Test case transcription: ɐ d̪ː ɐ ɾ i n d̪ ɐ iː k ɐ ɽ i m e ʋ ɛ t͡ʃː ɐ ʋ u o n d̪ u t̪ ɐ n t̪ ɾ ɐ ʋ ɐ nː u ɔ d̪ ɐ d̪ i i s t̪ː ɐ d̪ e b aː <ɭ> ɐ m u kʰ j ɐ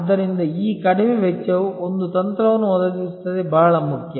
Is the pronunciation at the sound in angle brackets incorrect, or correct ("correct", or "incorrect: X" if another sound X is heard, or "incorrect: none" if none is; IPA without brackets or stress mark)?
correct